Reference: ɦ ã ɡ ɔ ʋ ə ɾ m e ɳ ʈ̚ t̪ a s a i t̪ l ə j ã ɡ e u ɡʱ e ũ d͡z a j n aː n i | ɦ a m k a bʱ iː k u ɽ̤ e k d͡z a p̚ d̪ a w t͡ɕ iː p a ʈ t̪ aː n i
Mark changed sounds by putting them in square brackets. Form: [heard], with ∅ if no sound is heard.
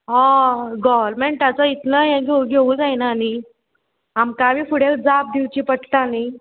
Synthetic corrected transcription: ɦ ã ɡ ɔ ʋ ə ɾ m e ɳ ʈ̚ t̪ a [t͡s] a i t̪ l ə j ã ɡ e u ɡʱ e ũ d͡z a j n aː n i | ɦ a m k a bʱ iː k u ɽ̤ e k d͡z a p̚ d̪ [i] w t͡ɕ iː p [ə] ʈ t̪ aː n i